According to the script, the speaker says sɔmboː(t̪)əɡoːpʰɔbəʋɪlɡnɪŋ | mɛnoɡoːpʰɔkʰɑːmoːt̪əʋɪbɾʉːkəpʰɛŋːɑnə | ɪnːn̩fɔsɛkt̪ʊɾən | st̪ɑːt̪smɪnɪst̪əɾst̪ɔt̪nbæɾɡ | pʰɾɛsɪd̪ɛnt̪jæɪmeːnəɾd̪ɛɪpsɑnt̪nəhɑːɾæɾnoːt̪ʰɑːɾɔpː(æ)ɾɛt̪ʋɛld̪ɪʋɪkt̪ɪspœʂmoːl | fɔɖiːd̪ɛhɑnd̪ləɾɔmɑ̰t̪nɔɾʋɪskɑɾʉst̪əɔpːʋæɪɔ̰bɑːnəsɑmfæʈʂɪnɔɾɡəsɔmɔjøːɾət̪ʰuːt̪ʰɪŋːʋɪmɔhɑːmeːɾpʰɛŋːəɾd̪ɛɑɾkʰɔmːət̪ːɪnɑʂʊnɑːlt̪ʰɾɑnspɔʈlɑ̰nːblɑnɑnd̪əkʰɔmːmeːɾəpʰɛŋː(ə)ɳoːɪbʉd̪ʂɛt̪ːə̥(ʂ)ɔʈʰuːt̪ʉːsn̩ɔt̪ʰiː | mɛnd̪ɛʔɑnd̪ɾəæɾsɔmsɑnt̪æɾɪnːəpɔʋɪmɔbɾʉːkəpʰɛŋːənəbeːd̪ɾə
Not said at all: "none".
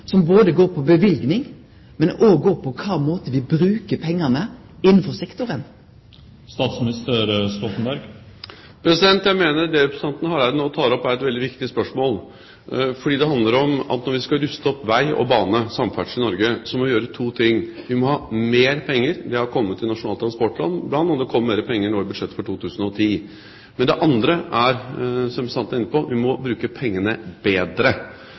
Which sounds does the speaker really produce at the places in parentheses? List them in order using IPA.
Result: d̪, æ, ə, f

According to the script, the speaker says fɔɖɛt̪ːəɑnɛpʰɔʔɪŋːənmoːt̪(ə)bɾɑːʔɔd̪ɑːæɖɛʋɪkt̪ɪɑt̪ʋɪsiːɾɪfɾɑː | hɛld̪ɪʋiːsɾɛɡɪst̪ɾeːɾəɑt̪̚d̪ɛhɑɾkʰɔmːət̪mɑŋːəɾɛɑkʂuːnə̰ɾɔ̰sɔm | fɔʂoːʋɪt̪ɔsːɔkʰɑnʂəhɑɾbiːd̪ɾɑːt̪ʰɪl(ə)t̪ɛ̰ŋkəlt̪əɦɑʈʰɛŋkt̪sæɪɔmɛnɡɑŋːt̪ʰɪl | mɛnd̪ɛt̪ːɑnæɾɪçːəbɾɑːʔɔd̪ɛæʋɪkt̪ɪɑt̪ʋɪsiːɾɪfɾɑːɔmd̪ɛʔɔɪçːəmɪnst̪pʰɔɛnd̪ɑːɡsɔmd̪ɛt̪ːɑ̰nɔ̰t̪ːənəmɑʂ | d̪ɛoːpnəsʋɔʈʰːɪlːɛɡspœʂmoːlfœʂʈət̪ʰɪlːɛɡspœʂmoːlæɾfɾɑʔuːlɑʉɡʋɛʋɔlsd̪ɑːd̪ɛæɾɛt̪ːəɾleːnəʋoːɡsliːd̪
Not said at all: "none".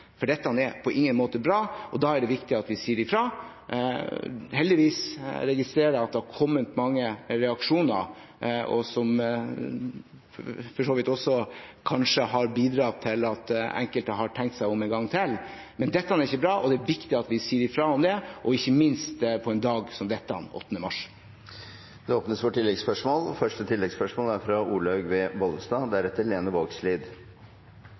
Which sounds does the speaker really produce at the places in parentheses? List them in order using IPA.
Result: ə, ɑ

